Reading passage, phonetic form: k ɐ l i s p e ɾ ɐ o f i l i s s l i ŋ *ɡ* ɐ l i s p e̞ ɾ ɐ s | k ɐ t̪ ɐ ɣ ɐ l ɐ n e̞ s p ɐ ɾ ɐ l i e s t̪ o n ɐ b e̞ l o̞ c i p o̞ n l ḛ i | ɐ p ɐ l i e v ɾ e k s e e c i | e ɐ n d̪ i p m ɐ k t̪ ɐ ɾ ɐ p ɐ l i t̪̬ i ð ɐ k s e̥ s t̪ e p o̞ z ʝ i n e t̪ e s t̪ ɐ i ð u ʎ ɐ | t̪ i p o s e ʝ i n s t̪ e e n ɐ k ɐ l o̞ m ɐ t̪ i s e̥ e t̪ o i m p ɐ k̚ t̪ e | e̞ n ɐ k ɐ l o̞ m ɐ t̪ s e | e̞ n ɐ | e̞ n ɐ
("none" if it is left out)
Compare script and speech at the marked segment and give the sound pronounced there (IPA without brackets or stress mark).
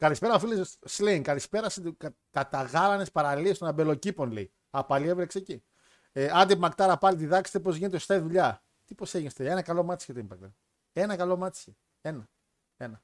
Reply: k